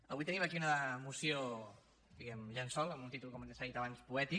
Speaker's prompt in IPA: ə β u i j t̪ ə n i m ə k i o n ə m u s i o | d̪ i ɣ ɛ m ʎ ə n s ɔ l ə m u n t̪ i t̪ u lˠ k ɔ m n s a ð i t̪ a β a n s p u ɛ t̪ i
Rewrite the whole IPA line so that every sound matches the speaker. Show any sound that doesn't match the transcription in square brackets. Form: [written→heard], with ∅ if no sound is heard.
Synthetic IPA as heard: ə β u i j t̪ ə n i m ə k i [o→u] n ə m u s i o | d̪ i ɣ ɛ m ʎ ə n s ɔ l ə m u n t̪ i t̪ u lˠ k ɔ m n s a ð i t̪ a β a n s p u ɛ t̪ i